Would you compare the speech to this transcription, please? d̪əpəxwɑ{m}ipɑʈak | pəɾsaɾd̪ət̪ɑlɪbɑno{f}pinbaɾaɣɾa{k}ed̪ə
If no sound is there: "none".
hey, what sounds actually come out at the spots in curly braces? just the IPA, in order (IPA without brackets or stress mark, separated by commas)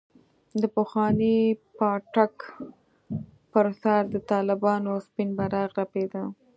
n, s, p